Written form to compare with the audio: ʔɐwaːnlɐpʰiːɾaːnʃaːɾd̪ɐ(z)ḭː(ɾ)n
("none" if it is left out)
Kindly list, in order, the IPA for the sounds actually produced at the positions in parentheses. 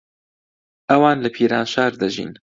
ʒ, none

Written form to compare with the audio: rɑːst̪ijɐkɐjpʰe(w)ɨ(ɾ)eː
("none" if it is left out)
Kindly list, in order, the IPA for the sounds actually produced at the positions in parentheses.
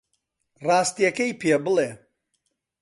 b, l

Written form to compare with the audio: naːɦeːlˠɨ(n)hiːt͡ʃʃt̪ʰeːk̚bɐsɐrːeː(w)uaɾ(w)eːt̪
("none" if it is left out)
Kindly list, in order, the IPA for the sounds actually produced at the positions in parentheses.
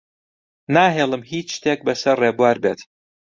m, b, b

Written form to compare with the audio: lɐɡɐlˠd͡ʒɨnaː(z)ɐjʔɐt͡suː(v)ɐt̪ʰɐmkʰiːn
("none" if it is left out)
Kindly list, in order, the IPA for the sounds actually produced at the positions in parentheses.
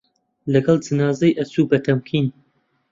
z, b

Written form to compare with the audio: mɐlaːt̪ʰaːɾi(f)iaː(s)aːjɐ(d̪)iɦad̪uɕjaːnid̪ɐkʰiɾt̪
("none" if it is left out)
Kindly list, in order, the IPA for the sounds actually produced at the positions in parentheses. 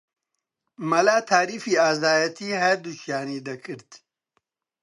f, z, t̪

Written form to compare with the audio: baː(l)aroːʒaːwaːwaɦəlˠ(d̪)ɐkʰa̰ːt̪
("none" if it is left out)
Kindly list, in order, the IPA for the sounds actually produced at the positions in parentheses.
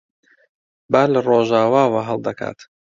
l, d̪

